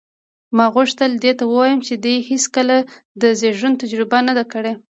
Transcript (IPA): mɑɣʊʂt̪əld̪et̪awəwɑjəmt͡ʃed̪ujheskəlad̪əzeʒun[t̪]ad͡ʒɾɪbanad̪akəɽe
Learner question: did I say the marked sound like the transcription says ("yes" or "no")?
yes